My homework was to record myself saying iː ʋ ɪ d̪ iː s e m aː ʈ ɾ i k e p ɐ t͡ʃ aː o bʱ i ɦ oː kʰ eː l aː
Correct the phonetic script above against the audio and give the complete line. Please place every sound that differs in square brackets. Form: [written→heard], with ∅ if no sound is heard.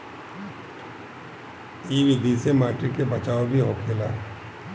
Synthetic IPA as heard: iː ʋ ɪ d̪ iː s e m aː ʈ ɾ i k e [p→b] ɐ t͡ʃ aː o bʱ i ɦ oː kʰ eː l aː